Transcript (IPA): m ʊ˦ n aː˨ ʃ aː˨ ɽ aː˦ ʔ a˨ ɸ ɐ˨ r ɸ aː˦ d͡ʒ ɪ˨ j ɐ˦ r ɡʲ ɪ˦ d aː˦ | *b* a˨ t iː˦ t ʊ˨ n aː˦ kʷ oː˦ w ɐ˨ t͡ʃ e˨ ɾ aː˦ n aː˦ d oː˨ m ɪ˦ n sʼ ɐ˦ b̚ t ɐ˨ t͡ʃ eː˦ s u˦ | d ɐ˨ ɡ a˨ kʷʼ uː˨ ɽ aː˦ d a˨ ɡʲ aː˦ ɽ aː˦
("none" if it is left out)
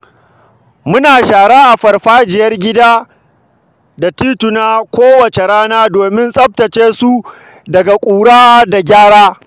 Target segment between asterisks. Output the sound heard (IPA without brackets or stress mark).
d